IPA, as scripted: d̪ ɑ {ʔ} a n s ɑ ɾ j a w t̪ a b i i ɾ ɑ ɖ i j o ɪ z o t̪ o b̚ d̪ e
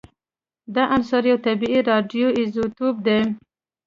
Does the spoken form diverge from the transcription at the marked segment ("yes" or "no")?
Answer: no